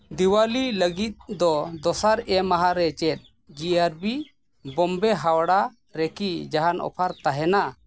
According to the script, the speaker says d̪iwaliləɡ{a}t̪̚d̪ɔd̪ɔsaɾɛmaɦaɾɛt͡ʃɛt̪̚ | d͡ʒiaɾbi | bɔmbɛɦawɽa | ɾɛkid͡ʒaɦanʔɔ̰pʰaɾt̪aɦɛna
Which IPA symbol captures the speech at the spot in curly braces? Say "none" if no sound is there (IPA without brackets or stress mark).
i